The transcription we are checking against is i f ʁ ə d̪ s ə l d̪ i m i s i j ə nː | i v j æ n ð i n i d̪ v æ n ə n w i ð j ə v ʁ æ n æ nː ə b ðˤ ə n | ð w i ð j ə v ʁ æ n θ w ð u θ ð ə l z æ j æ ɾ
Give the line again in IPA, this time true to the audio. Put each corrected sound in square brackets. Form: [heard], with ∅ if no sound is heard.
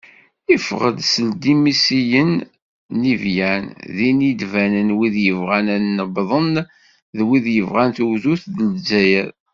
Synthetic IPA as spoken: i f ʁ ə d̪ s ə l d̪ i m i s i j ə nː | i v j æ n ð i n i d̪ v æ n ə n w i ð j ə v ʁ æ n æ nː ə b ðˤ ə n | ð w i ð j ə v ʁ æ n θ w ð u θ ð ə l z æ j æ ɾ